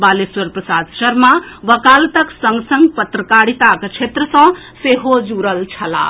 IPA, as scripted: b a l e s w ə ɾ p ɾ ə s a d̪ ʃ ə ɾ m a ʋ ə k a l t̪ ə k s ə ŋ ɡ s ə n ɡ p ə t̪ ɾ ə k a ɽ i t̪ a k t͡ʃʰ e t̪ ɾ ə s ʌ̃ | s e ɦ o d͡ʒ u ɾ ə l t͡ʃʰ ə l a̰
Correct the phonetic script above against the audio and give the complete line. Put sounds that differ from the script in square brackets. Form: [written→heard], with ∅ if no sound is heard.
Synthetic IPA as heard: b a l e s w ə ɾ p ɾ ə s a d̪ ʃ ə ɾ m a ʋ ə k a l t̪ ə k s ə ŋ ɡ s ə [n→ŋ] ɡ p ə t̪ ɾ ə k a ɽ i t̪ a k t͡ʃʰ e t̪ ɾ ə s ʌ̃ | s e ɦ o d͡ʒ u ɾ ə l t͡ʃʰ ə l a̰